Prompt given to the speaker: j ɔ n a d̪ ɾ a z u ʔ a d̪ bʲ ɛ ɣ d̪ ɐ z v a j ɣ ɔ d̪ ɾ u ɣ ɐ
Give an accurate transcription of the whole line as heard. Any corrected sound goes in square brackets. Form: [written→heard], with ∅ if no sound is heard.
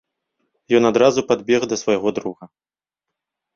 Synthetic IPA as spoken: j ɔ n a d̪ ɾ a z u [ʔ→p] a d̪ bʲ ɛ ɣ d̪ ɐ [z→s] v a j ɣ ɔ d̪ ɾ u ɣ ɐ